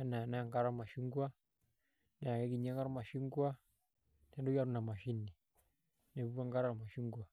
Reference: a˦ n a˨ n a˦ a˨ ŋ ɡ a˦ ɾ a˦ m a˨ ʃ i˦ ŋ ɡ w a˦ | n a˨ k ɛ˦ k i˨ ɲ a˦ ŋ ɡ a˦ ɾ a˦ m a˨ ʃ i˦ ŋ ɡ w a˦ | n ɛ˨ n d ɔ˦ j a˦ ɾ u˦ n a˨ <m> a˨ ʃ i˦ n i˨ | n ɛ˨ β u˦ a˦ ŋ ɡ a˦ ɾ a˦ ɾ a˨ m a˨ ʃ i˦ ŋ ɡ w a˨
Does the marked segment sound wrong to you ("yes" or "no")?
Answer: no